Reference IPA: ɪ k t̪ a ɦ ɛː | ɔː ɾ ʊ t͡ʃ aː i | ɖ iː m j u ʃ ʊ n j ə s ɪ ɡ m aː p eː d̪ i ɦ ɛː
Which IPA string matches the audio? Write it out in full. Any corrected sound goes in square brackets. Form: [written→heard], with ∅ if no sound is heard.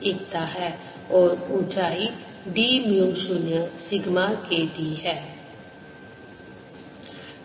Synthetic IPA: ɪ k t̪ a ɦ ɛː | ɔː ɾ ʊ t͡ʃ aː i | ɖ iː m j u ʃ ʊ n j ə s ɪ ɡ m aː [p→k] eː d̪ i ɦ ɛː

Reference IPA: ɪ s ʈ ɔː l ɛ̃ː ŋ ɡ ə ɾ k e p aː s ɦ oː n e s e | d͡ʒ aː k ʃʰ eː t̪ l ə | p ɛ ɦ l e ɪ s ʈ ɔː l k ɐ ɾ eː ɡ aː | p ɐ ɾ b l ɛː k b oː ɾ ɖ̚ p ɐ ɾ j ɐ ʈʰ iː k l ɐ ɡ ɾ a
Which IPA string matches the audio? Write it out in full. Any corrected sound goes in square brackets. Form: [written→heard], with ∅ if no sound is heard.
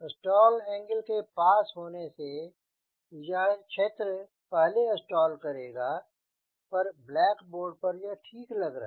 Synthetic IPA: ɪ s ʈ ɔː l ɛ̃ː ŋ ɡ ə [ɾ→l] k e p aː s ɦ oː n e s e | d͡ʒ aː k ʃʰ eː t̪ [l→ɾ] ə | p ɛ ɦ l e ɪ s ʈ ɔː l k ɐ ɾ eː ɡ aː | p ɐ ɾ b l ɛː k b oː ɾ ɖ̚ p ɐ ɾ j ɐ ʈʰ iː k l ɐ ɡ ɾ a

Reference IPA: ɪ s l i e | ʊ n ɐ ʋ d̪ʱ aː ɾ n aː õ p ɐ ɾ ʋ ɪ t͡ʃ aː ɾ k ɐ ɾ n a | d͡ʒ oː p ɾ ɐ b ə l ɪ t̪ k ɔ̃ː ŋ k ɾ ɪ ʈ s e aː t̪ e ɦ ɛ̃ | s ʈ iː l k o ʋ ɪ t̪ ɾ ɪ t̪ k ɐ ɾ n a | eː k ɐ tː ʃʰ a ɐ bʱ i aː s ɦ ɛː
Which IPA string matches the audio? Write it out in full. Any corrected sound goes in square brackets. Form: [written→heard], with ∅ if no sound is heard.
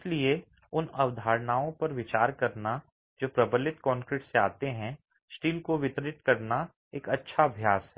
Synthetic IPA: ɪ s l i e | ʊ n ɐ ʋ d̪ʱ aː ɾ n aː õ p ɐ ɾ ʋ ɪ t͡ʃ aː ɾ k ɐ ɾ n a | d͡ʒ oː p ɾ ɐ b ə l ɪ t̪ k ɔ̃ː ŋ k ɾ ɪ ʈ s e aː t̪ e ɦ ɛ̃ | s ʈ iː l k o ʋ ɪ t̪ ɾ ɪ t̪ k ɐ ɾ n a | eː k ɐ tː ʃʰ a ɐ bʱ [i→j] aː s ɦ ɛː

